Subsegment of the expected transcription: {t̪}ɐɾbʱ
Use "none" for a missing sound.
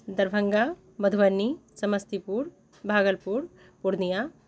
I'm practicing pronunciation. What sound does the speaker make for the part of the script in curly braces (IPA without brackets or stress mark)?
d̪